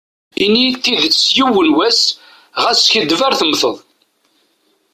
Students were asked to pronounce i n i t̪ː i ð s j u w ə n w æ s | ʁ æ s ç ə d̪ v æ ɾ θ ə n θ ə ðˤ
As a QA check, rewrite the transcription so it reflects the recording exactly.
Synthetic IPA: i n i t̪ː i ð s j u w ə n w æ s | ʁ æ s ç ə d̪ v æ ɾ θ ə m θ ə ðˤ